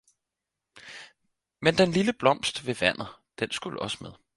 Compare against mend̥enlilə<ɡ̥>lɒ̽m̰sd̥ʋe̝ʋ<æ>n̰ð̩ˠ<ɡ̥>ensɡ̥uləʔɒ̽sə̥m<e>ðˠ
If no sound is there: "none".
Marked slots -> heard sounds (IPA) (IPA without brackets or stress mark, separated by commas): b̥, æ, d̥, e